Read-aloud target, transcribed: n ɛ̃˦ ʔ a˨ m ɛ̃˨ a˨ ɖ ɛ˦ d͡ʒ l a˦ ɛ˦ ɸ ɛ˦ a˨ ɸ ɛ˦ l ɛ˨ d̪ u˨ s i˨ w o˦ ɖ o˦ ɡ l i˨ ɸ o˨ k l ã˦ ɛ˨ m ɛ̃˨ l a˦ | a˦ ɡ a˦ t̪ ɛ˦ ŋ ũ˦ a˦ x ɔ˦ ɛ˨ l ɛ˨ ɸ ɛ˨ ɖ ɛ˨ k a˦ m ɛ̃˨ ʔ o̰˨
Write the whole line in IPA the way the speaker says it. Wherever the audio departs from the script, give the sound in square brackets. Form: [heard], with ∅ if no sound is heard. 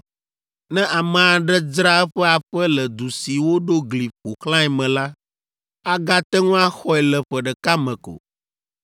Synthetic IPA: n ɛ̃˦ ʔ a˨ m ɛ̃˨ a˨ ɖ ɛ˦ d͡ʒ [ɾ] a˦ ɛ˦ ɸ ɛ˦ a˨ ɸ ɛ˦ l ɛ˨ d̪ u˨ s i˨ w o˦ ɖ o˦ ɡ l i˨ ɸ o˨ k l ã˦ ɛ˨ m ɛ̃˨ l a˦ | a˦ ɡ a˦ t̪ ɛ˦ ŋ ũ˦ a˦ x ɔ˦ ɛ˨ l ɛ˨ ɸ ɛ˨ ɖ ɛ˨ k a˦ m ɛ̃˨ [k] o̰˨